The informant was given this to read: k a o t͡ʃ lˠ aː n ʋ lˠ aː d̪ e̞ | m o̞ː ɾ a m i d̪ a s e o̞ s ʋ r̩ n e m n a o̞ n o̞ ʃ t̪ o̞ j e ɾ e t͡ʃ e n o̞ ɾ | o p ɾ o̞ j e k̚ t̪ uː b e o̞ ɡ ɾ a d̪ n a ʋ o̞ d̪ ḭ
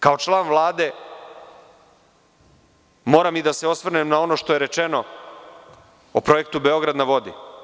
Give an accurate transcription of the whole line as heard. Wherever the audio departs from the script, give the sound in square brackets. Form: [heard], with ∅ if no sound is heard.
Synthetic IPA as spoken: k a o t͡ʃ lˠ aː n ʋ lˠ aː d̪ e̞ | m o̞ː ɾ a m i d̪ a s e o̞ s ʋ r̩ n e m n a o̞ n o̞ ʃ t̪ o̞ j e ɾ e t͡ʃ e n o̞ [∅] | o p ɾ o̞ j e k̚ t̪ [u] b e o̞ ɡ ɾ a d̪ n a ʋ o̞ d̪ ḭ